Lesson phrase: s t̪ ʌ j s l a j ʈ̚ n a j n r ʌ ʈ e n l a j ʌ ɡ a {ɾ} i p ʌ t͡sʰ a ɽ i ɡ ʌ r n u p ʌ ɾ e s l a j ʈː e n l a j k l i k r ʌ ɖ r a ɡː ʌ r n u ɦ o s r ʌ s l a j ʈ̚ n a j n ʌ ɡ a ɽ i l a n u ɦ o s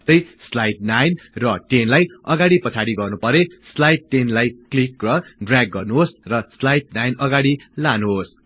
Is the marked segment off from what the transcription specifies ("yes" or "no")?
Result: yes